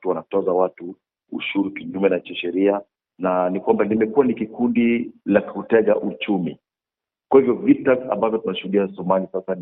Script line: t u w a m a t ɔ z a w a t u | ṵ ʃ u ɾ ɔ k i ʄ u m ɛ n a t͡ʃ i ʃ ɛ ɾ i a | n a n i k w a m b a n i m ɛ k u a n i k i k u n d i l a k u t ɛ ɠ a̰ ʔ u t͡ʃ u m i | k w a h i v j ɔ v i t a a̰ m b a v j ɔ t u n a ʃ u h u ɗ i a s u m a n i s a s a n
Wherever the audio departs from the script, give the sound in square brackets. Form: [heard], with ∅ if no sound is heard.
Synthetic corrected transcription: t u w a [n] a t ɔ z a w a t u | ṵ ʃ u ɾ [u] k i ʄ u m ɛ n a t͡ʃ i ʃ ɛ ɾ i a | n a n i k w a m b a n i m ɛ k u a n i k i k u n d i l a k u t ɛ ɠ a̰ ʔ u t͡ʃ u m i | k w a h i v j ɔ v i t a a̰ m b a v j ɔ t u n a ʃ u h u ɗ i a s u m a n i s a s a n